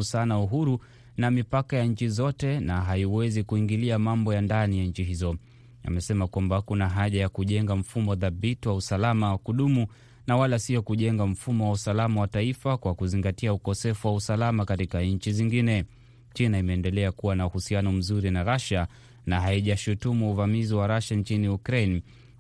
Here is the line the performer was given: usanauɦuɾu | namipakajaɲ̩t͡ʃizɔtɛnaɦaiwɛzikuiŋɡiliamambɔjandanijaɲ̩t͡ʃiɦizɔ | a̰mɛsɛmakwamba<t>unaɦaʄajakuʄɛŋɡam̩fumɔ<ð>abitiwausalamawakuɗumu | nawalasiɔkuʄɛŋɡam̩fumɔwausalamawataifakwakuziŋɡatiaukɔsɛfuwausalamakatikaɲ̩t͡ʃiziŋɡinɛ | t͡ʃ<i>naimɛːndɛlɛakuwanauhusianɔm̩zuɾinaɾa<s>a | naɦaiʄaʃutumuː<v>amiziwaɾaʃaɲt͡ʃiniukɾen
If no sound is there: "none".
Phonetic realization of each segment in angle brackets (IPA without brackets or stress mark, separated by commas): k, ð, i, ʃ, v